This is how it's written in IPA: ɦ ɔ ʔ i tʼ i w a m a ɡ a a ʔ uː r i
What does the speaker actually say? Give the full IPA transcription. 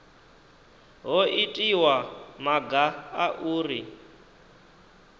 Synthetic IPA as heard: ɦ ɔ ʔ i tʼ i w a m a ɡ a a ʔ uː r i